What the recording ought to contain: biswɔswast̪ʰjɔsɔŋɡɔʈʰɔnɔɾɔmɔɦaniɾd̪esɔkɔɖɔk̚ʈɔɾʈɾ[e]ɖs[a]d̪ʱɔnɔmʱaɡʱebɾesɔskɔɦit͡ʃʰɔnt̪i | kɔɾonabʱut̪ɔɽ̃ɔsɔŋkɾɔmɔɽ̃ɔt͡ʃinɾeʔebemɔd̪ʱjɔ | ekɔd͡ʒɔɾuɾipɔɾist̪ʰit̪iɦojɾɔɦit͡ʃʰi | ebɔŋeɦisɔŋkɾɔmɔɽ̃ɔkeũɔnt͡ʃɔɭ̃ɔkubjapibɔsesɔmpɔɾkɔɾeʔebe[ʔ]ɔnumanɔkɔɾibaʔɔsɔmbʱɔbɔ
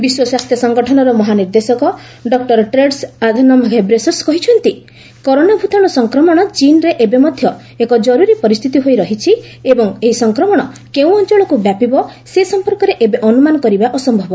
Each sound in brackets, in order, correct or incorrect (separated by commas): correct, correct, correct